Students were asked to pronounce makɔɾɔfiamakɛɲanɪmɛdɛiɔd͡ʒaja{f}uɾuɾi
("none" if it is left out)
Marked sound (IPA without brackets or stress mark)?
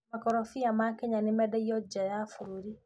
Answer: f